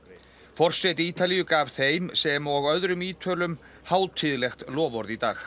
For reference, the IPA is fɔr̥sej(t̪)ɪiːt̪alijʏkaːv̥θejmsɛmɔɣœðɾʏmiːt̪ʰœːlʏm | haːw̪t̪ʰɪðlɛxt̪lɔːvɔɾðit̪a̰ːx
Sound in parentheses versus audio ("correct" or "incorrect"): correct